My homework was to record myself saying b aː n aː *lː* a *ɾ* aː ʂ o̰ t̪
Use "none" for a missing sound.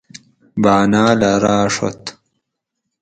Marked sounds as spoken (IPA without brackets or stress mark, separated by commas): l, ɾ